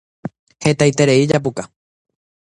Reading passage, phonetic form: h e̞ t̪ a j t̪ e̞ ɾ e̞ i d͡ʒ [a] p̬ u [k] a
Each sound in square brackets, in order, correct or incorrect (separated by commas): correct, correct